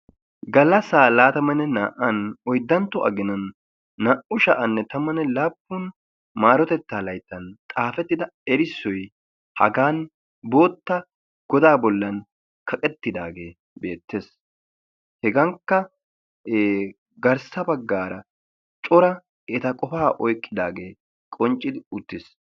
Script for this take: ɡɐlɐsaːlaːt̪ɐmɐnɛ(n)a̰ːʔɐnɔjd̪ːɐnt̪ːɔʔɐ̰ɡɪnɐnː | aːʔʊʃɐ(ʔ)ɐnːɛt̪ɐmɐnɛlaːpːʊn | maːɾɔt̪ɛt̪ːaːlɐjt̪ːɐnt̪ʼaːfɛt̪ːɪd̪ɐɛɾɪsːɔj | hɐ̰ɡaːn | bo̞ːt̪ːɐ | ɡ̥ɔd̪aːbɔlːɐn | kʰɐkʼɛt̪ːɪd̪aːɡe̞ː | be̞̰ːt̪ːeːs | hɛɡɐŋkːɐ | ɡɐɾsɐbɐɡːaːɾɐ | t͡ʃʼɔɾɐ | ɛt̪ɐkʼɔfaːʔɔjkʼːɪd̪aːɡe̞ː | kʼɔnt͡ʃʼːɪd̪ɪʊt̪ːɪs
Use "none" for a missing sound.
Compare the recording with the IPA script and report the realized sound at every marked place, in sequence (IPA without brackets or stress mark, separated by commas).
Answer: n, ʔ